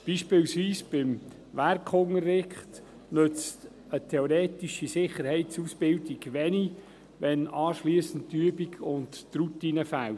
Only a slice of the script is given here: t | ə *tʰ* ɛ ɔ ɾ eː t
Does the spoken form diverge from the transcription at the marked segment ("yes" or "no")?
no